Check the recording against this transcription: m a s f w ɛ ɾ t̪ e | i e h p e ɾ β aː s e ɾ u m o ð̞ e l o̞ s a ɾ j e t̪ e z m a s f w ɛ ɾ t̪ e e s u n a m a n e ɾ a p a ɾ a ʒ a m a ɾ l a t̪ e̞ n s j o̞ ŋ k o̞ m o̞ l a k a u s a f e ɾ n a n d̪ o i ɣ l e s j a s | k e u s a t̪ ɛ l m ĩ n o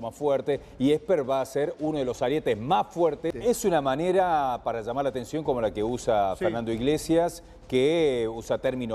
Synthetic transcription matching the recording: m a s f w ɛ ɾ t̪ e | i e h p e ɾ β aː s e ɾ u n o ð̞ e l o̞ s a ɾ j e t̪ e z m a s f w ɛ ɾ t̪ e e s u n a m a n e ɾ a p a ɾ a ʒ a m a ɾ l a t̪ e̞ n s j o̞ ŋ k o̞ m o̞ l a k e u s a f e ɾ n a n d̪ o i ɣ l e s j a s | k e u s a t̪ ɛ ɾ m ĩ n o